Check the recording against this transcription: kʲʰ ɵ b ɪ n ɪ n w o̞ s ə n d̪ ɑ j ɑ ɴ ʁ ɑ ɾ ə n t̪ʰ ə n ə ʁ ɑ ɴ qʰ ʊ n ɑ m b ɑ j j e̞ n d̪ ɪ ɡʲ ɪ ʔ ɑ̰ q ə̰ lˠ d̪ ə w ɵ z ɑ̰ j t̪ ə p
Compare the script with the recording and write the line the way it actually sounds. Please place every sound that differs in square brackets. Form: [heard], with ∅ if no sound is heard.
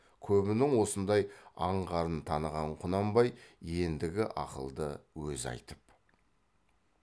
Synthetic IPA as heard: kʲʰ ɵ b ɪ n ɪ [ŋ] w o̞ s ə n d̪ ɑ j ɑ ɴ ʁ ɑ ɾ ə n t̪ʰ [ɑ] n ə ʁ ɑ ɴ qʰ ʊ n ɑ m b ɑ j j e̞ n d̪ ɪ ɡʲ ɪ ʔ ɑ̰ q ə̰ lˠ d̪ ə w ɵ z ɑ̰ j t̪ ə p

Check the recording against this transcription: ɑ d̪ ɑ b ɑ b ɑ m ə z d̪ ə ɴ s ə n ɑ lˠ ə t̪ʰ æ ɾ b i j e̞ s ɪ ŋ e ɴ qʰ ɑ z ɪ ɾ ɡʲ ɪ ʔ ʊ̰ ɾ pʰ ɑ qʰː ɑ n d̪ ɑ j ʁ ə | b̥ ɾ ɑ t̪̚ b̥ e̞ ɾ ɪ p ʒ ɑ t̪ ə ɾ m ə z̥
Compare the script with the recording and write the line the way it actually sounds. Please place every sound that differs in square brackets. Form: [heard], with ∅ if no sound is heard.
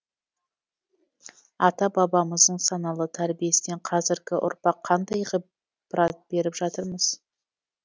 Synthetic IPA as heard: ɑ [t̪] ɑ b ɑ b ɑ m ə z d̪ ə ɴ s [ɑ] n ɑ lˠ ə t̪ʰ æ ɾ b i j e̞ s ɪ [n] e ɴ qʰ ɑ z ɪ ɾ ɡʲ ɪ ʔ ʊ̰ ɾ [p] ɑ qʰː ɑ n d̪ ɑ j ʁ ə | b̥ ɾ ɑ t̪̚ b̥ e̞ ɾ ɪ p ʒ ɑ t̪ ə ɾ m ə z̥

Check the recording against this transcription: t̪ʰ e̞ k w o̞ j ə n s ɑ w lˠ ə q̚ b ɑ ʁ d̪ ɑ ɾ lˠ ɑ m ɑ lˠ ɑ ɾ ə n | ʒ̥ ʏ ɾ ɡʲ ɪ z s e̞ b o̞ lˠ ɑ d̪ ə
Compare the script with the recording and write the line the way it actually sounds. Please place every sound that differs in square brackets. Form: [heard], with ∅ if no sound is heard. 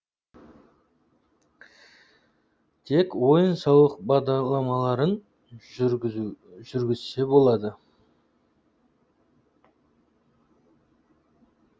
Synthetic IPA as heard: t̪ʰ e̞ k w o̞ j ə n s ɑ w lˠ ə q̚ b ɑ ʁ d̪ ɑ ɾ lˠ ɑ m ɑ lˠ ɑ ɾ ə n | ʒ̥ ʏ ɾ ɡʲ ɪ z s e̞ b o̞ lˠ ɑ d̪ ə

